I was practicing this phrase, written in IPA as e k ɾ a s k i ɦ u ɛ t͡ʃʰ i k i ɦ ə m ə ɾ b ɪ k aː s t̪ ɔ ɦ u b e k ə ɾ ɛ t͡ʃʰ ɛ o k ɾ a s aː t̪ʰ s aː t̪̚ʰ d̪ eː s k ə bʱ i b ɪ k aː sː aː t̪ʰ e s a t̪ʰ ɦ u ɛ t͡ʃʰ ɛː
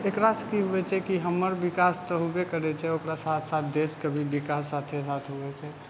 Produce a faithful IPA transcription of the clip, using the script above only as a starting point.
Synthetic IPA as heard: e k ɾ a s k i ɦ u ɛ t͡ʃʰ ɛ k i ɦ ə m ə ɾ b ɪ k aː s t̪ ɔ ɦ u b e k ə ɾ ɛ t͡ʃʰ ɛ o k ɾ a s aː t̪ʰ s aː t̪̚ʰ d̪ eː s k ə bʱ i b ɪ k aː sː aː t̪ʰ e s a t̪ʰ ɦ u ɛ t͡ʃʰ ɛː